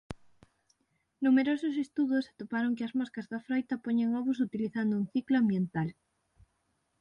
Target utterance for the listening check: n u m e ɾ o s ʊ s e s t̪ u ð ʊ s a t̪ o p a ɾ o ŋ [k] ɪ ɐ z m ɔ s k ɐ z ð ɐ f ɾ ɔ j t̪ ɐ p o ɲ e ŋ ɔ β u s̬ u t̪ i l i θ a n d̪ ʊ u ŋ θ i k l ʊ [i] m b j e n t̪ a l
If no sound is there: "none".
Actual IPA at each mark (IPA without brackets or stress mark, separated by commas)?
k, a